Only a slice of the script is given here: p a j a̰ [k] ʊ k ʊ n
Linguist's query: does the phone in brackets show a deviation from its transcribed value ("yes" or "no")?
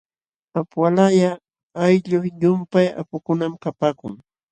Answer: yes